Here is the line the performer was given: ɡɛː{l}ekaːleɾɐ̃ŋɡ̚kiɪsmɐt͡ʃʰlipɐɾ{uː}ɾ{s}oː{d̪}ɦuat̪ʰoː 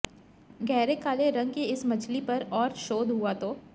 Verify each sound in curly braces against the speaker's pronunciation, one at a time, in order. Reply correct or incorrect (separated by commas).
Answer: incorrect, incorrect, incorrect, correct